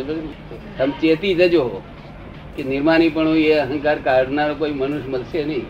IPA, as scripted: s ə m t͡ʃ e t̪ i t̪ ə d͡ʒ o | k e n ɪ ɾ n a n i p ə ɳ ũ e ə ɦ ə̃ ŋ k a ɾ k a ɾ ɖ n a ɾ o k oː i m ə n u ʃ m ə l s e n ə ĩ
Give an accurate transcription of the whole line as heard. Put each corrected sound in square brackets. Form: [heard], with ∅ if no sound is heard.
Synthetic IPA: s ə m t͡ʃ e t̪ i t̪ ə d͡ʒ o | k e n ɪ ɾ [m] a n i p ə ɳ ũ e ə ɦ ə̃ ŋ k a ɾ k a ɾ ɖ n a ɾ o k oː i m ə n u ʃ m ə l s e n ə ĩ